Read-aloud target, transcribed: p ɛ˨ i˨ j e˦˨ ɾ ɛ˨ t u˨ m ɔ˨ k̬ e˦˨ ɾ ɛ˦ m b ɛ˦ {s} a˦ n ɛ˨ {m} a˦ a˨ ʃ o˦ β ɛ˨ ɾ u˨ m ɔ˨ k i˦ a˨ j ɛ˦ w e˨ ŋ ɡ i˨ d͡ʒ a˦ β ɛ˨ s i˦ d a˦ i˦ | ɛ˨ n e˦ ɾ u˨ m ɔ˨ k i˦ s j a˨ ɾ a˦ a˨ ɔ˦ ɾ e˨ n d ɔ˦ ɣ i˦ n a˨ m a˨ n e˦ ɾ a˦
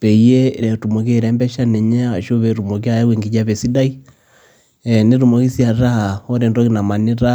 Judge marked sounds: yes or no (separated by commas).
no, no